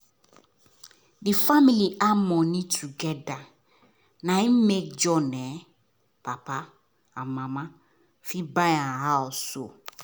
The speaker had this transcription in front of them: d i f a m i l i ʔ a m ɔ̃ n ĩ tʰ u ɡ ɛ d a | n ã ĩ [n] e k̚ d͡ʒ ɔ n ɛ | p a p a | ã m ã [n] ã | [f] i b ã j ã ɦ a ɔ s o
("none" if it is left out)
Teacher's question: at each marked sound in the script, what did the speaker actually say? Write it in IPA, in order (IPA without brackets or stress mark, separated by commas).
m, m, f